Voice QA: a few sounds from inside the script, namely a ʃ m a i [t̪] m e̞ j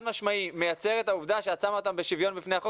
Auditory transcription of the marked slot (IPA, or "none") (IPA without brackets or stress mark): none